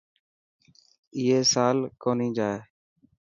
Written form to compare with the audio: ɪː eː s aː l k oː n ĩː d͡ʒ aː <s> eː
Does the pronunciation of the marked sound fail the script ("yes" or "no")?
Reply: yes